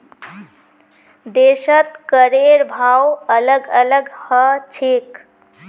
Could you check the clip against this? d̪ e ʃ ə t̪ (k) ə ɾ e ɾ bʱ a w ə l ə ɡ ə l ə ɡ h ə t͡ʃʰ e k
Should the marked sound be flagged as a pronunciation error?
no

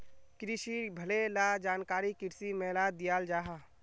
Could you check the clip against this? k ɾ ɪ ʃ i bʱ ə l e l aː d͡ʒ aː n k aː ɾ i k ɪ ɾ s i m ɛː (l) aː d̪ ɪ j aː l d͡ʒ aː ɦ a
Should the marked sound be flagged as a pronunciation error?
no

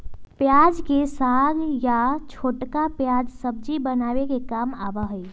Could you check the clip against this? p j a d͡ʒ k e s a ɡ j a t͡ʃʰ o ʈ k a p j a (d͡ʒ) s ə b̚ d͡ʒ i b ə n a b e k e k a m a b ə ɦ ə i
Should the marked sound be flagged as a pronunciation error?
no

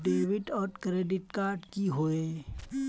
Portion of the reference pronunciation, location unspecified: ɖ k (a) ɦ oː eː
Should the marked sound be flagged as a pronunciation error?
yes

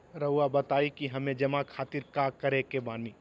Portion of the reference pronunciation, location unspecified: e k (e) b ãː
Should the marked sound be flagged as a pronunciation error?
no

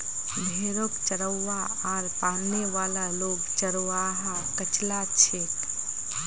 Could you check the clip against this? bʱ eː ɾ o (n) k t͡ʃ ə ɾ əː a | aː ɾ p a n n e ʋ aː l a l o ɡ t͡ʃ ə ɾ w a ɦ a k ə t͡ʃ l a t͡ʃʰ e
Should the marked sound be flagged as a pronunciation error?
yes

